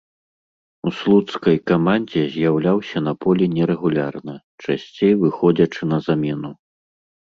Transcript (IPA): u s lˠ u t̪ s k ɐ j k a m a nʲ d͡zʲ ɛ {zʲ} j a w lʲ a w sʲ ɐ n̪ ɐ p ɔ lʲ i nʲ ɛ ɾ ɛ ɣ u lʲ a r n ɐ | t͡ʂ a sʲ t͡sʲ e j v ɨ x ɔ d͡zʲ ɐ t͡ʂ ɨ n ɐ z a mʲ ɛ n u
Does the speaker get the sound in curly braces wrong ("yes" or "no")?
no